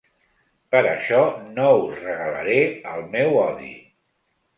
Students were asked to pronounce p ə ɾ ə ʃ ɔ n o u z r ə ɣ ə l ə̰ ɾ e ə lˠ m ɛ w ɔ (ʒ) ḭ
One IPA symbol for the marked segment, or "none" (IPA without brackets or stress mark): ð